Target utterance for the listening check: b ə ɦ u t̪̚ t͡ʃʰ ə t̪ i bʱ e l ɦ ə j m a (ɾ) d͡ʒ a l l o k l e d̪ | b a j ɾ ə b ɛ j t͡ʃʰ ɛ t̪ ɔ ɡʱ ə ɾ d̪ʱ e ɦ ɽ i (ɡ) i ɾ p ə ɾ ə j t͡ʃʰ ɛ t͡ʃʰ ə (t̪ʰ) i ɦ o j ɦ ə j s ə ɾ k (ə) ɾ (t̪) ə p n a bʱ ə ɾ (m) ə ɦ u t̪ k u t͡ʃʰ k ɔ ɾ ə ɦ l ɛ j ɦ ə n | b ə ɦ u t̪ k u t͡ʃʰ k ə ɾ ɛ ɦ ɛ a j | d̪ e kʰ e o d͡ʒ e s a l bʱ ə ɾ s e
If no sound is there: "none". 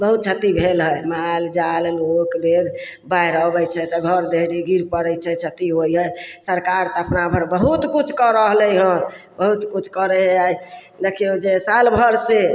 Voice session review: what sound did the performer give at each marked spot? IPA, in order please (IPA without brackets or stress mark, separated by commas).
l, ɡ, t̪, a, t̪, b